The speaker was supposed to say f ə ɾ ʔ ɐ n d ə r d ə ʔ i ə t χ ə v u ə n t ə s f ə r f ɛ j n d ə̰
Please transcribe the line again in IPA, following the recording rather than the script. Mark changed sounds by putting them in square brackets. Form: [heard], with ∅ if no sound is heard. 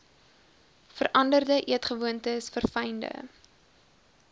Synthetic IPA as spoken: f ə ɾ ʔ ɐ n d ə r d ə ʔ i ə t χ ə v u ə n t ə s f ə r f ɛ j n d ə̰